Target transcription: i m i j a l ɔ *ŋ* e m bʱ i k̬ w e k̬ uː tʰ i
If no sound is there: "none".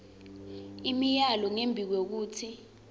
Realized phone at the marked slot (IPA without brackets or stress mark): ŋ